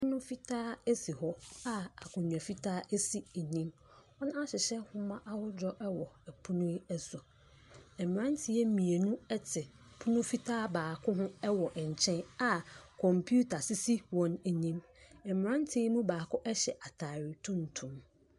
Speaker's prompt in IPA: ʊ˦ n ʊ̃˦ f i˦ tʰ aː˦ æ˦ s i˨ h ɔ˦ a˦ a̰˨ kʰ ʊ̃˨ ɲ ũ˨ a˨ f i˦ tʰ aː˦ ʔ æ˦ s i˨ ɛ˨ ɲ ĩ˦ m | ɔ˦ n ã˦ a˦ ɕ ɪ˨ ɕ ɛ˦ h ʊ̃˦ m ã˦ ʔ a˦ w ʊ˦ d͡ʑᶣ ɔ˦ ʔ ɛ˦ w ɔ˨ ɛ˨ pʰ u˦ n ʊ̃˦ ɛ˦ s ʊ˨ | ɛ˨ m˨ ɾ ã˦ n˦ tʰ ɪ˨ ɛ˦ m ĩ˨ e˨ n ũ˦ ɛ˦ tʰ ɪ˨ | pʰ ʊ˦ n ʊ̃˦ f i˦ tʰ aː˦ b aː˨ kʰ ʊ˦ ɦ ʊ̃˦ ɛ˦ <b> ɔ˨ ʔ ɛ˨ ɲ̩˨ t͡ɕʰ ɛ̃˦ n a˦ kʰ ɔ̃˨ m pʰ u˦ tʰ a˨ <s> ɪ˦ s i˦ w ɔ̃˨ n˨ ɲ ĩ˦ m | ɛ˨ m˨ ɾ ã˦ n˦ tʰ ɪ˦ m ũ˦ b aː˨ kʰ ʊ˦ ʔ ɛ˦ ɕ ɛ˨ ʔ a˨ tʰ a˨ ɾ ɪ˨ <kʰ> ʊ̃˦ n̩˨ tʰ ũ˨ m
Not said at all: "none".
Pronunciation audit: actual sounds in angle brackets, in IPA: w, s, tʰ

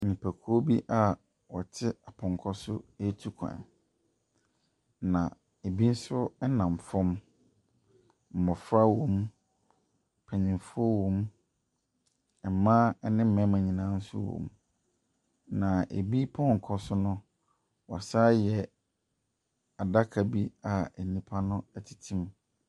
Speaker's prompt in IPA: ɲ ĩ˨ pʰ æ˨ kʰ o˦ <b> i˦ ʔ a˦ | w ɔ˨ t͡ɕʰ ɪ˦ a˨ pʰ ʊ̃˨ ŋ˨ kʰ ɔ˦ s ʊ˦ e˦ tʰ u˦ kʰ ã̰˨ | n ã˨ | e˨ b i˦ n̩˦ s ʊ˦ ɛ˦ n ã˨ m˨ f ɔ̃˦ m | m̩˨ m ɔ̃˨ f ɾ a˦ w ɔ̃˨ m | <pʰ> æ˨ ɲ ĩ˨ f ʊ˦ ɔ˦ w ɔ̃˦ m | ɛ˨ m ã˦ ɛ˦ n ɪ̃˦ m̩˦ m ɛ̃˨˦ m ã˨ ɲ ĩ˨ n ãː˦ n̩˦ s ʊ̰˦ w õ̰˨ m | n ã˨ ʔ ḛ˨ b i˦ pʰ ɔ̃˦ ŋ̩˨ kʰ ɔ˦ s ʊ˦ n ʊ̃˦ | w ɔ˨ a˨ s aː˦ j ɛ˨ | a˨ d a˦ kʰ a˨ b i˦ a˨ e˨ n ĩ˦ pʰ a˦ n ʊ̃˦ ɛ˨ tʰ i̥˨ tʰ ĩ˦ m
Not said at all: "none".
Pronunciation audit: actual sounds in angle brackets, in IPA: b, pʰ

